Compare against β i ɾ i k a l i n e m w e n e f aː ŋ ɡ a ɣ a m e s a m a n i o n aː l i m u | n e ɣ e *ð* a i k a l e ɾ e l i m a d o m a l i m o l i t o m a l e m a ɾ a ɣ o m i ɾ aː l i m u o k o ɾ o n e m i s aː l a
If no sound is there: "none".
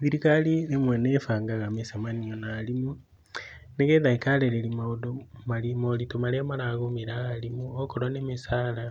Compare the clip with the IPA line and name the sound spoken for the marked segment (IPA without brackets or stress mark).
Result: ð